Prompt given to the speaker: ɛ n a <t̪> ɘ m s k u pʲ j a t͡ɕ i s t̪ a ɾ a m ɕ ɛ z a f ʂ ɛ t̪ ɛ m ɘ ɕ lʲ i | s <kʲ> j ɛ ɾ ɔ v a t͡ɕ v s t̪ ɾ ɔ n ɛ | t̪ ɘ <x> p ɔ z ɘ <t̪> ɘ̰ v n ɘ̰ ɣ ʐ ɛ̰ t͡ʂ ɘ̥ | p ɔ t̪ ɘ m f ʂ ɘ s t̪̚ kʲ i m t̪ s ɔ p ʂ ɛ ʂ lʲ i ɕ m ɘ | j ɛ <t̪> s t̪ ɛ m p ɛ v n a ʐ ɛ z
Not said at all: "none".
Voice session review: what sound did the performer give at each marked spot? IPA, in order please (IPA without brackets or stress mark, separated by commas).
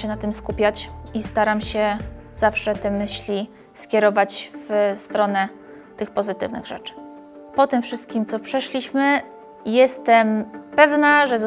t̪, kʲ, x, t̪, none